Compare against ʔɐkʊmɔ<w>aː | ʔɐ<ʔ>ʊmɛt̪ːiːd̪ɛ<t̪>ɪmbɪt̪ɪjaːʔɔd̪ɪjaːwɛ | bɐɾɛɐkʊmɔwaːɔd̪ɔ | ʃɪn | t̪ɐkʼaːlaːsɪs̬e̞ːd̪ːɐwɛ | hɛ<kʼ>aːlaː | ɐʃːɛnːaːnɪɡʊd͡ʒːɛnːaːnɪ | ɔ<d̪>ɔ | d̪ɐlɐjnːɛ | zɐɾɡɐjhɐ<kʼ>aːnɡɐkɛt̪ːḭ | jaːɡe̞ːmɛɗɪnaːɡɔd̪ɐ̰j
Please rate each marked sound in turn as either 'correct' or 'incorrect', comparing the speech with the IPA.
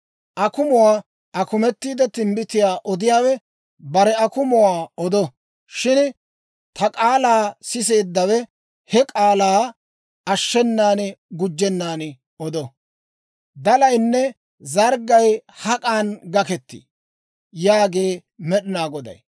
correct, incorrect, correct, correct, correct, correct

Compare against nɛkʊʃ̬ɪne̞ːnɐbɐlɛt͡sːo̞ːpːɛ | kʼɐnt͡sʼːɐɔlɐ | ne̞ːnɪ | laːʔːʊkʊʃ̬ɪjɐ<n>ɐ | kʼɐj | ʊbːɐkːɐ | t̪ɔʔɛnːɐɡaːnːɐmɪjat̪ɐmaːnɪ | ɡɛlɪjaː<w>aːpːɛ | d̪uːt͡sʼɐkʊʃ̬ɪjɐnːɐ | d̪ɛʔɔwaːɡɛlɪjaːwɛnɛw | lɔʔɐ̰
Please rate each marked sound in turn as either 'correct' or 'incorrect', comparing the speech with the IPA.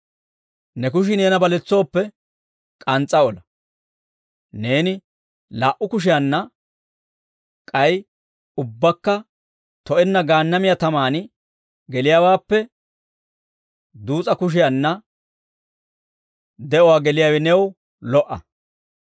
incorrect, correct

